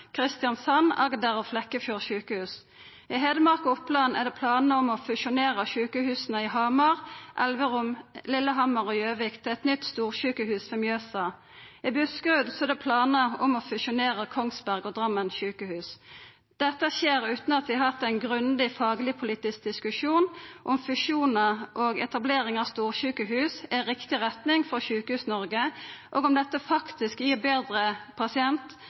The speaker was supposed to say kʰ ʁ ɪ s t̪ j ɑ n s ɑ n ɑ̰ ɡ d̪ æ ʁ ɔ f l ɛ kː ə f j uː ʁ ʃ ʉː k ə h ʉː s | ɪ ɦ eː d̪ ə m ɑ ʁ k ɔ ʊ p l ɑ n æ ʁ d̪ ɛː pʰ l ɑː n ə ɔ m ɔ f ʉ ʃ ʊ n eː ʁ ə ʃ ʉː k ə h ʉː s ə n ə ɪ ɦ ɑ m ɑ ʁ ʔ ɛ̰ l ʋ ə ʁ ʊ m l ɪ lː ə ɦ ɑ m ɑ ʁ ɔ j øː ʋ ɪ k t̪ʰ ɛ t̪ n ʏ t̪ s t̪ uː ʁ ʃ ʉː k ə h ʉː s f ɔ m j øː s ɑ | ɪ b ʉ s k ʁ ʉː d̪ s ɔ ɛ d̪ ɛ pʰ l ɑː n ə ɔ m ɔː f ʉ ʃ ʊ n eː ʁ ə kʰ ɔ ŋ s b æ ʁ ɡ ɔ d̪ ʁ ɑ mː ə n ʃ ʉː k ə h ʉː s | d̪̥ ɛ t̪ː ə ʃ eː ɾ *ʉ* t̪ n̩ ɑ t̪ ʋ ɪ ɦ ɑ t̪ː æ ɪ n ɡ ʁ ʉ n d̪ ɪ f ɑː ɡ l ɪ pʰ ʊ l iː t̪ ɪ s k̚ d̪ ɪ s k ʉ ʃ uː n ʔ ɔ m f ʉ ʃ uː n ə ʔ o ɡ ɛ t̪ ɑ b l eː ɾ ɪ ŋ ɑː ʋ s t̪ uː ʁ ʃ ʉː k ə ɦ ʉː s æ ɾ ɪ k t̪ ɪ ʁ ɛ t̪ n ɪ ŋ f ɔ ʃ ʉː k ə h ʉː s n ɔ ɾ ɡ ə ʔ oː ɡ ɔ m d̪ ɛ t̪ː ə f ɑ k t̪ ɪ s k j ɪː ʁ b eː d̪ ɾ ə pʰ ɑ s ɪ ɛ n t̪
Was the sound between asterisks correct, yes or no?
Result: no